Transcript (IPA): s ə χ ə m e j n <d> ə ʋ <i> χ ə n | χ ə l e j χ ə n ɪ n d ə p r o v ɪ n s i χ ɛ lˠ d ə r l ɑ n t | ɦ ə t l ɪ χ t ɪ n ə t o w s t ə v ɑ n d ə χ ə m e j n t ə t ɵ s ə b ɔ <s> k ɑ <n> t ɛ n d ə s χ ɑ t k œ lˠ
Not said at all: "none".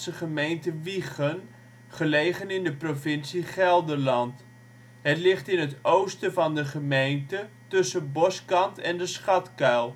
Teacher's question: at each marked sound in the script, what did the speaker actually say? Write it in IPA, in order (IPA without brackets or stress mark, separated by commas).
t, i, s, n